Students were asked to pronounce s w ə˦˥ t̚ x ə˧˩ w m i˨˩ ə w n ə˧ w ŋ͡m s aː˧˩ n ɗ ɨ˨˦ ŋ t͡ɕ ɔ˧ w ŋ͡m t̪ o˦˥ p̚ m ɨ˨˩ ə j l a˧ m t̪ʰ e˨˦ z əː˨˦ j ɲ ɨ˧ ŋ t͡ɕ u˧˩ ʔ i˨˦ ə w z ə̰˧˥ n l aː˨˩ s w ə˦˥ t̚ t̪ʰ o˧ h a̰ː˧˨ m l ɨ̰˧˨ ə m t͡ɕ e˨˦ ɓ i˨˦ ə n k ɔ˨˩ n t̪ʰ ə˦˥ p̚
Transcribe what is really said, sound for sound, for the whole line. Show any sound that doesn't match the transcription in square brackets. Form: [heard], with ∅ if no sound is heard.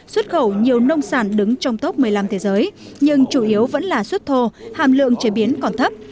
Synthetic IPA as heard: s w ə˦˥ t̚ x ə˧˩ w [ɲ] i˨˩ ə w n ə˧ w ŋ͡m s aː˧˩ n ɗ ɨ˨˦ ŋ t͡ɕ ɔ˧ w ŋ͡m t̪ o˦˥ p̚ m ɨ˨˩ ə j l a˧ m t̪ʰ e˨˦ z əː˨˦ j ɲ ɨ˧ ŋ t͡ɕ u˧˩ ʔ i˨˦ ə w [v] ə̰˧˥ n l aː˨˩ s w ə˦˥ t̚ t̪ʰ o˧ h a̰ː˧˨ m l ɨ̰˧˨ ə [ŋ] t͡ɕ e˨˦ ɓ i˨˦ ə n k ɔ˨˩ n t̪ʰ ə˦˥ p̚